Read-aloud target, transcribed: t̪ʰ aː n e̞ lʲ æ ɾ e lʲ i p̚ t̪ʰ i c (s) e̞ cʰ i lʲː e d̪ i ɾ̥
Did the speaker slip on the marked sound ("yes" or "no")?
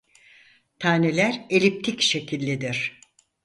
yes